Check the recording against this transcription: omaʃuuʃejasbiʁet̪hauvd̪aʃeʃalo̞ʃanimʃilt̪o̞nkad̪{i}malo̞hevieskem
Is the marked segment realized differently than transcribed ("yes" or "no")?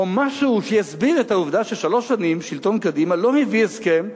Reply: no